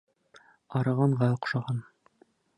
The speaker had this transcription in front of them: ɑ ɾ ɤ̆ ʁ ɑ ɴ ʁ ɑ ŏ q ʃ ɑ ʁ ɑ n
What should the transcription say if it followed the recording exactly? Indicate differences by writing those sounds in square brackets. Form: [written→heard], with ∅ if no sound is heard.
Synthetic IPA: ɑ ɾ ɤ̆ ʁ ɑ ɴ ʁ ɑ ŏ q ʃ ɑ ʁ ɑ n

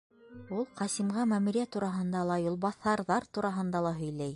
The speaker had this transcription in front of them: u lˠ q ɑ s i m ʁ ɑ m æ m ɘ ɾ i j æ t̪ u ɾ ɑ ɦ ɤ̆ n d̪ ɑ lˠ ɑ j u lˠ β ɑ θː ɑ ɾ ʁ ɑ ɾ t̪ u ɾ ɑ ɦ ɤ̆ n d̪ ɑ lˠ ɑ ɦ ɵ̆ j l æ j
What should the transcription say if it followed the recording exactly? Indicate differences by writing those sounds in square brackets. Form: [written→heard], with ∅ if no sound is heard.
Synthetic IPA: u lˠ q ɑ s i m ʁ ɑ m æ m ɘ ɾ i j æ t̪ u ɾ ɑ ɦ ɤ̆ n d̪ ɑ lˠ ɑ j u lˠ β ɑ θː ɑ ɾ [ʁ→ð] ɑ ɾ t̪ u ɾ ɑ ɦ ɤ̆ n d̪ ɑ lˠ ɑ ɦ ɵ̆ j l æ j

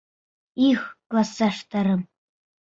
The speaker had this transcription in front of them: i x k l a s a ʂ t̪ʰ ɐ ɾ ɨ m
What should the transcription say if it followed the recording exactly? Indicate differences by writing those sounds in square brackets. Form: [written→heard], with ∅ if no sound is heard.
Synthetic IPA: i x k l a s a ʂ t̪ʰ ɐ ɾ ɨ m

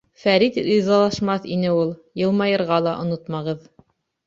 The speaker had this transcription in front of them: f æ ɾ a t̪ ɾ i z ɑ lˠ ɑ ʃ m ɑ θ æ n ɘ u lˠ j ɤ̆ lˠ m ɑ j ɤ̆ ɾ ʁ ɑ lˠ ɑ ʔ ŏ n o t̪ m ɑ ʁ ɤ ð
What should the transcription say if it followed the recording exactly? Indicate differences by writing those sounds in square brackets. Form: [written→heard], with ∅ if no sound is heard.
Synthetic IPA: f æ ɾ [a→i] t̪ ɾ i z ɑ lˠ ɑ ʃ m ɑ θ [æ→i] n ɘ u lˠ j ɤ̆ lˠ m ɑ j ɤ̆ ɾ ʁ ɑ lˠ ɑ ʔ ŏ n o t̪ m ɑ ʁ ɤ ð

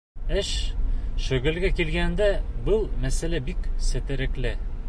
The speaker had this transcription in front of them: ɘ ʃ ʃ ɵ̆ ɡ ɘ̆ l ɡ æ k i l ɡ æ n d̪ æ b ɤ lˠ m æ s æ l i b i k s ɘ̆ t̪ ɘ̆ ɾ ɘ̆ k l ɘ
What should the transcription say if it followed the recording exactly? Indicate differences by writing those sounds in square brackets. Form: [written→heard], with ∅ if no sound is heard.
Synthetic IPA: ɘ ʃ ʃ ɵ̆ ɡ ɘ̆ l ɡ æ k i l ɡ æ n d̪ æ b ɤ lˠ m æ s æ l [i→æ] b i k s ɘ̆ t̪ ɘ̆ ɾ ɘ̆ k l ɘ

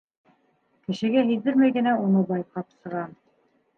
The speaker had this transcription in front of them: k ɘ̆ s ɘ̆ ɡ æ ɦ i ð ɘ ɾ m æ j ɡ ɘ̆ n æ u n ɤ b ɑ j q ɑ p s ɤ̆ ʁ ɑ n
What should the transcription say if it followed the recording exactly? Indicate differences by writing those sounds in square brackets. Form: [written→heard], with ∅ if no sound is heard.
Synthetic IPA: k ɘ̆ [s→ʃ] ɘ̆ ɡ æ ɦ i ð ɘ ɾ m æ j ɡ ɘ̆ n æ u n ɤ b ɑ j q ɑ p s ɤ̆ ʁ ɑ n

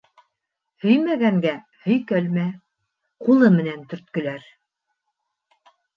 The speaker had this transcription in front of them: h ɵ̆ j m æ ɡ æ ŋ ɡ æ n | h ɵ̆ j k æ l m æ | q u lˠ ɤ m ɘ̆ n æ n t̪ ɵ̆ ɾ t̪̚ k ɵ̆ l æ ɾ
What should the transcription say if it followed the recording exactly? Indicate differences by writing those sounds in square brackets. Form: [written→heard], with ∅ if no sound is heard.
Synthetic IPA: h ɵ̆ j m æ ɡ æ ŋ ɡ æ [n→∅] | h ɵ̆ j k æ l m æ | q u lˠ ɤ m ɘ̆ n æ n t̪ ɵ̆ ɾ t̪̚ k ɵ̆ l æ ɾ

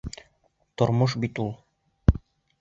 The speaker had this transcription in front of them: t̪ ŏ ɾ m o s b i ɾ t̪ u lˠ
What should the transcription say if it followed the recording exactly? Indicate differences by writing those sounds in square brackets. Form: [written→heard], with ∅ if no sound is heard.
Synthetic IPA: t̪ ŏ ɾ m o [s→ʃ] b i [ɾ→∅] t̪ u lˠ

